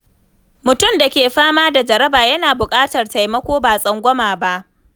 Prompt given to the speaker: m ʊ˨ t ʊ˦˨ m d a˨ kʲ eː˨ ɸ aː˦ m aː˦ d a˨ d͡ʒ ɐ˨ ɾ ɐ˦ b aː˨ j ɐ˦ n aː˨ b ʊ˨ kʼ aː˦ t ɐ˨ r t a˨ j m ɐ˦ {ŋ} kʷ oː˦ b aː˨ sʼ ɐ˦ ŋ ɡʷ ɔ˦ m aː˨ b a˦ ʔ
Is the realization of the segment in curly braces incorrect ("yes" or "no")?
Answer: yes